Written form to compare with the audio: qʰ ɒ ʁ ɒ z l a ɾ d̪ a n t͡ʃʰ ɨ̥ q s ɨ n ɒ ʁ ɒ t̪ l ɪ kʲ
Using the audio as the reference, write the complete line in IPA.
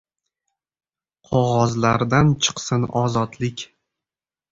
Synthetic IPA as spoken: qʰ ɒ ʁ ɒ z l a ɾ d̪ a n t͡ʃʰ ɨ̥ q s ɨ n ɒ z ɒ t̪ l ɪ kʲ

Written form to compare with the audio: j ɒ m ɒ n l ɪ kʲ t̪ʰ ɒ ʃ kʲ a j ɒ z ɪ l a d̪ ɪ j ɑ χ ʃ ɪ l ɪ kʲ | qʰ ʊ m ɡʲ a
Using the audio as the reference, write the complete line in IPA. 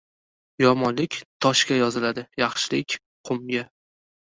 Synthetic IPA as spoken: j ɒ m ɒ n l ɪ kʲ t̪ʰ ɒ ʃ kʲ a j ɒ z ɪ l a d̪ ɪ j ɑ χ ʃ ɪ l ɪ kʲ | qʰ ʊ m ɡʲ a

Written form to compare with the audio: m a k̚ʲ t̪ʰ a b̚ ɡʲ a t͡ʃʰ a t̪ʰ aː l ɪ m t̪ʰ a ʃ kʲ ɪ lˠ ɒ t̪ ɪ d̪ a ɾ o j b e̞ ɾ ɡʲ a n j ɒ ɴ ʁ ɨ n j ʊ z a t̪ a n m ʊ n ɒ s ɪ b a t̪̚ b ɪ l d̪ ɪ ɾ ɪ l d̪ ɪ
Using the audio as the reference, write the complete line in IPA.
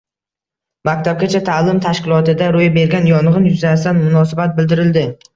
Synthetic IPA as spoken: m a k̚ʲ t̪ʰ a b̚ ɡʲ a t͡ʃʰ a t̪ʰ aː l ɪ m t̪ʰ a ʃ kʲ ɪ lˠ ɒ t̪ ɪ d̪ a ɾ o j b e̞ ɾ ɡʲ a n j ɒ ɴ ʁ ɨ n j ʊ z a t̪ a n m ʊ n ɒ s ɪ b a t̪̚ b ɪ l d̪ ɪ ɾ ɪ l d̪ ɪ

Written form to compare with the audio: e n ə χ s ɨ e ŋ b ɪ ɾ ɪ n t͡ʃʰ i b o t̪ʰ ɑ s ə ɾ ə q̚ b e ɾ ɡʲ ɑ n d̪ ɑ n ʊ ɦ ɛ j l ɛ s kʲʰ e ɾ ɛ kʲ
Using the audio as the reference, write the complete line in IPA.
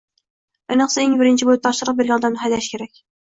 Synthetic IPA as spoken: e n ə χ s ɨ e ŋ b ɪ ɾ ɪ n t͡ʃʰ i b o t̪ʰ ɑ ʃ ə ɾ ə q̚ b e ɾ ɡʲ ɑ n d̪ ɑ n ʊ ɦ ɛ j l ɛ ʃ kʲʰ e ɾ ɛ kʲ

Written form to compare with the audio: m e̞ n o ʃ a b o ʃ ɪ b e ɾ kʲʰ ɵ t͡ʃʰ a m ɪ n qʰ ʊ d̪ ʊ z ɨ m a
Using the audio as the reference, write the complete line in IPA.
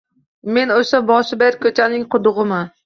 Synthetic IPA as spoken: m e̞ n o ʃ a b ɒ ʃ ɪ b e ɾ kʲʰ ɵ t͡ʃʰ a n ɪ ŋ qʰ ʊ d̪ ʊ ʁ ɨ m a

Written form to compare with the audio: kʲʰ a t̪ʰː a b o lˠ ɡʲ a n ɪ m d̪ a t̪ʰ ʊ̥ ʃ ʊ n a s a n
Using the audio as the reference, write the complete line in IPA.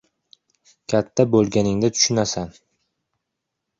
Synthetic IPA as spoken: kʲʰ a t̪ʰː a b o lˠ ɡʲ a n ɪ ŋ d̪ a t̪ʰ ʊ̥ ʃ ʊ n a s a n

